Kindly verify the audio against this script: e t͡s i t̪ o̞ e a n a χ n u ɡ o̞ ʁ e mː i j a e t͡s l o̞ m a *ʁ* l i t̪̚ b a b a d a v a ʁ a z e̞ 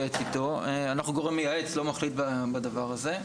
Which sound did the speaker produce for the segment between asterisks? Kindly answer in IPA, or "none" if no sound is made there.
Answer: χ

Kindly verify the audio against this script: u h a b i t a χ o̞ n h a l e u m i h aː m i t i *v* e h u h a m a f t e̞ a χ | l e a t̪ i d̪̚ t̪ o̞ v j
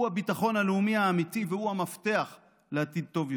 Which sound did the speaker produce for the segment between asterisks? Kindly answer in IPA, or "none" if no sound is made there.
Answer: v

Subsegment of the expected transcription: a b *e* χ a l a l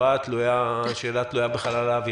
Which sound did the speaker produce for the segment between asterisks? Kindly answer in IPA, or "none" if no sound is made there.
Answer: e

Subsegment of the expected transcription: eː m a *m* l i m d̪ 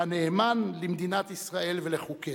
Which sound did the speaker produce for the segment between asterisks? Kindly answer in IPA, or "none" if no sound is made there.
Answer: n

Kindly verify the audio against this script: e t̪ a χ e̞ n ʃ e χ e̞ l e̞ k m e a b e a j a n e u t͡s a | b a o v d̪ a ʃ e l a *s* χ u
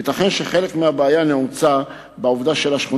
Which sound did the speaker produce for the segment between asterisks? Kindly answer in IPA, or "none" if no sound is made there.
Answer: ʃ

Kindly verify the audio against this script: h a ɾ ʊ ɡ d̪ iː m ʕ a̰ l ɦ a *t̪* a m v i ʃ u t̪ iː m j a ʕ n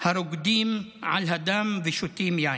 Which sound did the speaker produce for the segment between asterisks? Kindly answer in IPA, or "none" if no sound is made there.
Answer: d̪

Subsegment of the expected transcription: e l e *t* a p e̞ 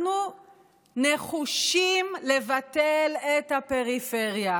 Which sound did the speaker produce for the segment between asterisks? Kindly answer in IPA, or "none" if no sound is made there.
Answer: t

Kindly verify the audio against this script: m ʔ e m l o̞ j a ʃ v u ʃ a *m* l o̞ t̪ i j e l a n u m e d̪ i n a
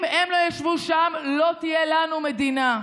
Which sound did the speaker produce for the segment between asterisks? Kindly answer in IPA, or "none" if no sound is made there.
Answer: m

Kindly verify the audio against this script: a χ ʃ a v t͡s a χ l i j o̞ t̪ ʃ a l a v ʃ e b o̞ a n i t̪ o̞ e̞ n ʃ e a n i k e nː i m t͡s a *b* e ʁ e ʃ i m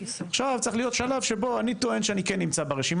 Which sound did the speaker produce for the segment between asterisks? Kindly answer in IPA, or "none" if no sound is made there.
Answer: b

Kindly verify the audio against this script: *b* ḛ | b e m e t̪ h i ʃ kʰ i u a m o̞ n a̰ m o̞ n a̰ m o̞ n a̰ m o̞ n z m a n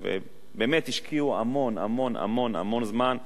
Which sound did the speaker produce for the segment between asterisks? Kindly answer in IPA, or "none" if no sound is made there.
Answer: v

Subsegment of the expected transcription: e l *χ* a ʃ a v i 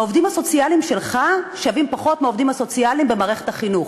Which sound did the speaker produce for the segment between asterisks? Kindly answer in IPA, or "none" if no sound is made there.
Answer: χ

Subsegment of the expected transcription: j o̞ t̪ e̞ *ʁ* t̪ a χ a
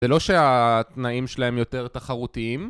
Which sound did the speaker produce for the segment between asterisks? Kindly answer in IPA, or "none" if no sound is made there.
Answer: ʁ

